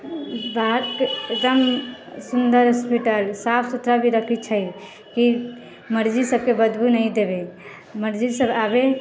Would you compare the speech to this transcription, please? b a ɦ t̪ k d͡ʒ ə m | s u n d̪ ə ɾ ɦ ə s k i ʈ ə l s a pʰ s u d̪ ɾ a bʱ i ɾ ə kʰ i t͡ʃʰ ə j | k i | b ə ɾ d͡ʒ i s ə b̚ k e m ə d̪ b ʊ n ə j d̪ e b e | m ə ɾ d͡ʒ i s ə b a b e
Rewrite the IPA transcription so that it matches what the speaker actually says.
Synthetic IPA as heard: b a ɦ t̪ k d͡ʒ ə m | s u n d̪ ə ɾ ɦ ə s p i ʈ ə l s a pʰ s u t̪ ɾ a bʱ i ɾ ə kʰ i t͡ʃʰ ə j | k i | m ə ɾ d͡ʒ i s ə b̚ k e b ə d̪ b u n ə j d̪ e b e | m ə ɾ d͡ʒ i s ə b a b e